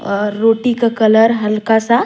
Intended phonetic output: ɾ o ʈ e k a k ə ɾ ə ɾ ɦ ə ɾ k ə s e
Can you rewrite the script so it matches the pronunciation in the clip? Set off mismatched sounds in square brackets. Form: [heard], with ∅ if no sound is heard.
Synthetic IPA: ɾ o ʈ [i] k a k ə [l] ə ɾ ɦ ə [l] k [a] s [a]